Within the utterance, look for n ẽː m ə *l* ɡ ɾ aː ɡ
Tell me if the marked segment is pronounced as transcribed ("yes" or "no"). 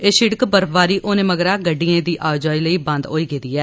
no